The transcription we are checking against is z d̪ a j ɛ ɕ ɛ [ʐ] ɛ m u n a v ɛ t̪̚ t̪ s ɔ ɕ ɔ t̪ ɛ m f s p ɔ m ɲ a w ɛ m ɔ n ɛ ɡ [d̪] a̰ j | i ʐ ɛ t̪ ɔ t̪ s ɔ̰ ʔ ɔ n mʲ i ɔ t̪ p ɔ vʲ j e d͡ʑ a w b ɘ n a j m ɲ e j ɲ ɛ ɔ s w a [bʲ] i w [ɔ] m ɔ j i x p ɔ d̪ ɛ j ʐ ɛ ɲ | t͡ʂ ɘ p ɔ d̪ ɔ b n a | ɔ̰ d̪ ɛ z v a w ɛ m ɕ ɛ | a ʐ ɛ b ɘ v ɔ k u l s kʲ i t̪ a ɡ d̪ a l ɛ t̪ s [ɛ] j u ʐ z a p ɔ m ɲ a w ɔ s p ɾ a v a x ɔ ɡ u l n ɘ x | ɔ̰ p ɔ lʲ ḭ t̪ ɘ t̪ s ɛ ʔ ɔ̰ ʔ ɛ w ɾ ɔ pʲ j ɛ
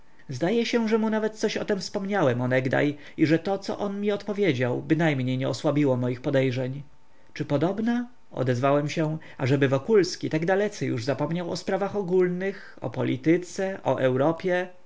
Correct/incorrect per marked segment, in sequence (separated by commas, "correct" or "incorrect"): correct, correct, correct, correct, correct